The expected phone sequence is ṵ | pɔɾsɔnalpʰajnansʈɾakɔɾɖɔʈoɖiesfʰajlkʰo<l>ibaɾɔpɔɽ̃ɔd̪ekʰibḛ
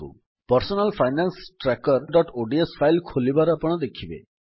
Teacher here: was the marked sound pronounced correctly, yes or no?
yes